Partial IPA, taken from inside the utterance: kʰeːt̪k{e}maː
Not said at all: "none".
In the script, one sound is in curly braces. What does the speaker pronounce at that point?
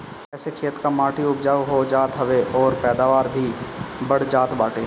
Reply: a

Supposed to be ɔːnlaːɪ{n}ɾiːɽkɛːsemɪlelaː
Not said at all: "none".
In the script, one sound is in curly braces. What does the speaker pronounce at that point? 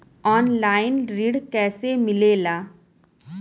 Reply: n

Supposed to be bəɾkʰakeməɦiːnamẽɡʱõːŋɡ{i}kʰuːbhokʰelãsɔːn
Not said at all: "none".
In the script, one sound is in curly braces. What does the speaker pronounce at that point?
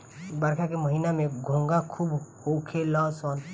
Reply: a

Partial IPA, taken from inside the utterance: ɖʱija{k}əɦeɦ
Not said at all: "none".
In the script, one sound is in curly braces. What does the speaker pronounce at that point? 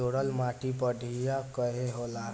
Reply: k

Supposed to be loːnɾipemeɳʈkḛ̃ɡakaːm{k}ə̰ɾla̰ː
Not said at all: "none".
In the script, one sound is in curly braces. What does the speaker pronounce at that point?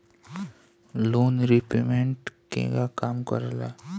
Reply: k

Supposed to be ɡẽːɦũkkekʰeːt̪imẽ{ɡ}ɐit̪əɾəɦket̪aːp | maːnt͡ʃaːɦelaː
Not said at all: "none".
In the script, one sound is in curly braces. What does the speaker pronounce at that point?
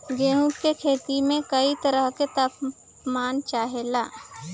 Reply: k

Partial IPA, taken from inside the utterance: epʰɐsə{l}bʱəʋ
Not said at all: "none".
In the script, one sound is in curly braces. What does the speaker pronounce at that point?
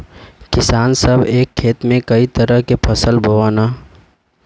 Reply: l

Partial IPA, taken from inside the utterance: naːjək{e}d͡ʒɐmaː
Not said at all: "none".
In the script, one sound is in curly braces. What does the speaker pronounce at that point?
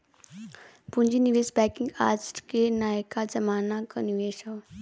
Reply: a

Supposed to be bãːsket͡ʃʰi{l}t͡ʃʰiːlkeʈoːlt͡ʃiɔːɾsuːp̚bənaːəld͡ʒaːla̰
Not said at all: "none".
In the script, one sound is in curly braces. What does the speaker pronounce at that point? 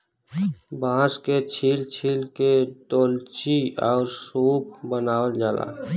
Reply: l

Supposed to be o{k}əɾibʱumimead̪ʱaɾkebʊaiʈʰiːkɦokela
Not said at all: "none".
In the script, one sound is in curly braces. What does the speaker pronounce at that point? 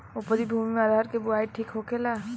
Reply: p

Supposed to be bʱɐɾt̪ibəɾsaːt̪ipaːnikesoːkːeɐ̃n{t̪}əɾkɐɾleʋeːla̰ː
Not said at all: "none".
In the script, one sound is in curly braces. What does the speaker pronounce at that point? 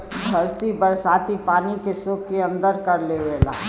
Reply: d̪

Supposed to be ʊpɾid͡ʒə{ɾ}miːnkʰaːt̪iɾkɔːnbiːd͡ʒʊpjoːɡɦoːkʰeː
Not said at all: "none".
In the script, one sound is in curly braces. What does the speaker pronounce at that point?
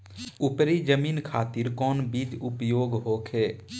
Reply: none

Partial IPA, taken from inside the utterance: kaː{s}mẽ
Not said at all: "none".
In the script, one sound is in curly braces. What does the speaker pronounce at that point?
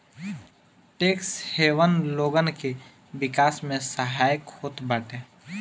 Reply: s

